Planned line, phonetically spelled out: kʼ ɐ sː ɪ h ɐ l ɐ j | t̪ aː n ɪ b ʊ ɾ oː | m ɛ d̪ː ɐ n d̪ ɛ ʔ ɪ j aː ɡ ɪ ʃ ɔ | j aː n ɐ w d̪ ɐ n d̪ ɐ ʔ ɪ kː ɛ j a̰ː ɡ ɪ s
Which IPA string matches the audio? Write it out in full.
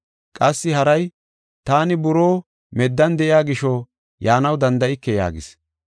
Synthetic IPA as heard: kʼ ɐ sː ɪ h ɐ ɾ ɐ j | t̪ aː n ɪ b ʊ ɾ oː | m ɛ d̪ː ɐ n d̪ ɛ ʔ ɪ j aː ɡ ɪ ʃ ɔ | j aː n ɐ w d̪ ɐ n d̪ ɐ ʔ ɪ kː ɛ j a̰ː ɡ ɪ s